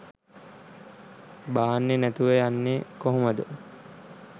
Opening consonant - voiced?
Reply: yes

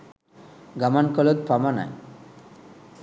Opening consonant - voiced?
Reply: yes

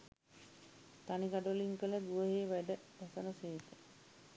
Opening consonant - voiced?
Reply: no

